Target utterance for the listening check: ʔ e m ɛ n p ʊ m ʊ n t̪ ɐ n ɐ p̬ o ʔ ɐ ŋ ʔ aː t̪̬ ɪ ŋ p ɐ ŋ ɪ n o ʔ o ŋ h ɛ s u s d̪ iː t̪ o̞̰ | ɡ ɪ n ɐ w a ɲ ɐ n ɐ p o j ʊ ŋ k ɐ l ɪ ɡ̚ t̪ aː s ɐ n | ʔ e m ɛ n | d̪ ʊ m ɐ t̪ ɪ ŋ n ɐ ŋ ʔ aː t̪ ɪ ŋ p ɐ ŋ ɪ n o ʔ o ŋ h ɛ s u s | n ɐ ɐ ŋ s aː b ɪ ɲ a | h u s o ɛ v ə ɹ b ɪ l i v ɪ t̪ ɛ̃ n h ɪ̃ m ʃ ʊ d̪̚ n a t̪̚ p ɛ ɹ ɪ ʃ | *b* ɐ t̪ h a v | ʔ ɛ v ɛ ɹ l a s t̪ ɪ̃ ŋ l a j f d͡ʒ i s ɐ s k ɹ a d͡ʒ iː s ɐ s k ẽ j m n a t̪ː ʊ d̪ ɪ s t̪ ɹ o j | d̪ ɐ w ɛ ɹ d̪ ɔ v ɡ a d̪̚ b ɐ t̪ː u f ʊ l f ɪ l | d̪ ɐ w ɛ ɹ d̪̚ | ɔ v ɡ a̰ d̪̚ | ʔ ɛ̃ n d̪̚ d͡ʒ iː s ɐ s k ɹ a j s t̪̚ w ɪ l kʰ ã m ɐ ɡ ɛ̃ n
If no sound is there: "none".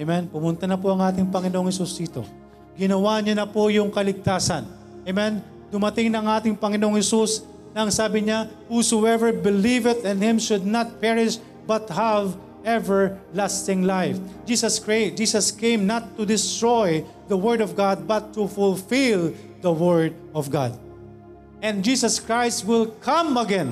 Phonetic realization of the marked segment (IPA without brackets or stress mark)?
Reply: b